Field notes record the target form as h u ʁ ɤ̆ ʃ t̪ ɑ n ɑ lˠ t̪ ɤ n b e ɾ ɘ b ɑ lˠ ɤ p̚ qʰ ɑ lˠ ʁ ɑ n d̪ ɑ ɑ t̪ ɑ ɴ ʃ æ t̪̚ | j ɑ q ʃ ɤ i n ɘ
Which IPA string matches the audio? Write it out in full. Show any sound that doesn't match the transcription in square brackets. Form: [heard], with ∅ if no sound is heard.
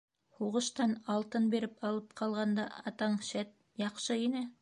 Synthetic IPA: h u ʁ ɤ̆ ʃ t̪ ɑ n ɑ lˠ t̪ ɤ n b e ɾ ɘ [p] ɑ lˠ ɤ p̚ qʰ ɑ lˠ ʁ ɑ n d̪ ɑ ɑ t̪ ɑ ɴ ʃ æ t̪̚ | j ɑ q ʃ ɤ i n ɘ

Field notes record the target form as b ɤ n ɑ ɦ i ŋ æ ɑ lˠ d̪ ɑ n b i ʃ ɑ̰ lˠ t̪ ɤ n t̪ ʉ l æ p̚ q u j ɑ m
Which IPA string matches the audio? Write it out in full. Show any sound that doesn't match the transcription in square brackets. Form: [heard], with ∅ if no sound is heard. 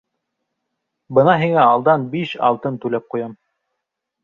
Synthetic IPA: b ɤ n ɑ ɦ i ŋ æ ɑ lˠ d̪ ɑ n b i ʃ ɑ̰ lˠ t̪ ɤ n t̪ ʉ l æ p̚ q u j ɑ m

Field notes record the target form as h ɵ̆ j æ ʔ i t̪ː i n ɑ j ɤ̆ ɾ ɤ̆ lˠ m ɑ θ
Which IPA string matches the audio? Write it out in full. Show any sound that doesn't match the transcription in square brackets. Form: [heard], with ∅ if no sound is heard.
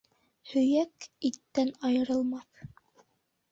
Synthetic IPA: h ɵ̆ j æ [k] i t̪ː [æ] n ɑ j ɤ̆ ɾ ɤ̆ lˠ m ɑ θ

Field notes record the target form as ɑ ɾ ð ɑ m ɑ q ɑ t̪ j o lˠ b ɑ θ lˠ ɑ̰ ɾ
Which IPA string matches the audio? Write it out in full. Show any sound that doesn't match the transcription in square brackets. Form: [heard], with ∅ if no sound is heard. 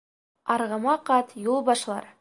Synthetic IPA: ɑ ɾ [ʁ] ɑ m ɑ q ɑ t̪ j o lˠ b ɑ [ʃ] lˠ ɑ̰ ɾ

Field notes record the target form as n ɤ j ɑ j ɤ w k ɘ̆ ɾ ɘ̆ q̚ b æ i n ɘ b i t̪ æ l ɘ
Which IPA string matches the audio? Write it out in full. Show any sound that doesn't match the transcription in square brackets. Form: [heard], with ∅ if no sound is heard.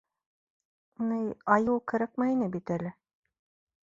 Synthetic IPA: n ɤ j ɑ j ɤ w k ɘ̆ ɾ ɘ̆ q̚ [m] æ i n ɘ b i t̪ æ l ɘ

